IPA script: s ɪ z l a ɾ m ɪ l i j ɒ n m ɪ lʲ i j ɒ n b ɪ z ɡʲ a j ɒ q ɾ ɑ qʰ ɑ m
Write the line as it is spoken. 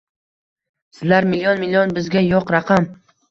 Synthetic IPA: s ɪ z l a ɾ m ɪ l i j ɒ n m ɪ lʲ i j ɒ n b ɪ z ɡʲ a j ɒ q ɾ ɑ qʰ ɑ m